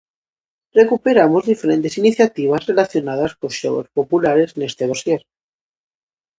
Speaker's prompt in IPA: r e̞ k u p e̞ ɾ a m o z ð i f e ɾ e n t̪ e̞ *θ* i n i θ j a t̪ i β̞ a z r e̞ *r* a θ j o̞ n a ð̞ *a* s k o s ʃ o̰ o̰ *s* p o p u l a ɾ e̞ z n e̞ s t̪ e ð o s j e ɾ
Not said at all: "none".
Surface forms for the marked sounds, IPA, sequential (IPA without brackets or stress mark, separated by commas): s, l, a, s